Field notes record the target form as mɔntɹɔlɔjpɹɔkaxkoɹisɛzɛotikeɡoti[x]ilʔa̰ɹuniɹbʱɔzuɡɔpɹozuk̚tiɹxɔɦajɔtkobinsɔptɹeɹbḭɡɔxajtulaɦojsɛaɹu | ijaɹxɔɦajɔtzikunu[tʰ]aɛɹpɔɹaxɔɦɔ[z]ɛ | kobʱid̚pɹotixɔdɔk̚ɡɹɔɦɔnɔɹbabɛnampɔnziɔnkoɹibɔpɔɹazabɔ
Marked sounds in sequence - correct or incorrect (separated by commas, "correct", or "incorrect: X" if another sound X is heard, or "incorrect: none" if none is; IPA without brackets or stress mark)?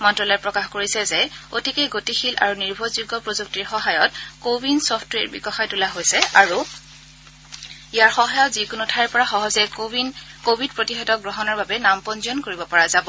correct, correct, correct